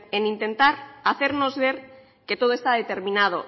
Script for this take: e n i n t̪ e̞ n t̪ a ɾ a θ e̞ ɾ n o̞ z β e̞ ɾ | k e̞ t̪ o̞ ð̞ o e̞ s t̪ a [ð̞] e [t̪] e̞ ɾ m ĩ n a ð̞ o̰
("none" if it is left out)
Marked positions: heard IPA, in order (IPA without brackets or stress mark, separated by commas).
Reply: ð̞, t̪